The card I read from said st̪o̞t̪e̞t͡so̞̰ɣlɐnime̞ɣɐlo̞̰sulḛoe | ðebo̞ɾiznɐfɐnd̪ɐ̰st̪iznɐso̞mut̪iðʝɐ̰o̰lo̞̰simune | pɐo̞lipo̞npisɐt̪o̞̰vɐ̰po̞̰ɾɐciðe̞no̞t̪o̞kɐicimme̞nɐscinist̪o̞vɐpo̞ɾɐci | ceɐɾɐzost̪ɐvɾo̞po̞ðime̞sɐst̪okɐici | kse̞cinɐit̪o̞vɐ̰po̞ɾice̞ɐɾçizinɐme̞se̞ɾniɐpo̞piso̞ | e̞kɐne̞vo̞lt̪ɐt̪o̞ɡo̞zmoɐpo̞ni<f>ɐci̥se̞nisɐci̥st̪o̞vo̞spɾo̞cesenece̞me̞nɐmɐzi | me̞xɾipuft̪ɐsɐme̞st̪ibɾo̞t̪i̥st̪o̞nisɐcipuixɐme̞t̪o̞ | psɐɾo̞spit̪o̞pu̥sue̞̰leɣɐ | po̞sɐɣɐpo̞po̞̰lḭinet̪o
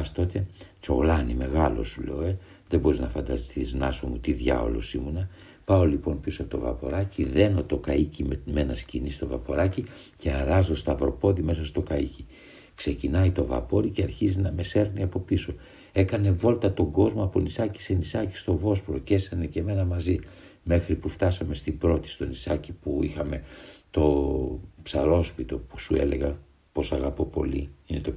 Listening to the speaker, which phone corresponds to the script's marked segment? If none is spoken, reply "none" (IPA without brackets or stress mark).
s